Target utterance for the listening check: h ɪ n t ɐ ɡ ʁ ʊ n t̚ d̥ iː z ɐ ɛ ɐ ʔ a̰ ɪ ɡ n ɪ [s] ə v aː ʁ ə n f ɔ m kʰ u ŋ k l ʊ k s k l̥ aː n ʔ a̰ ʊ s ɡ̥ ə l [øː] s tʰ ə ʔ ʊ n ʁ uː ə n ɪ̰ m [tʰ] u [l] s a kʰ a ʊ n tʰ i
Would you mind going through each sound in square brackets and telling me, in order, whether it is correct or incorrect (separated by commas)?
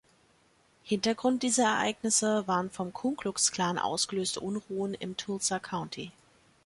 correct, correct, correct, correct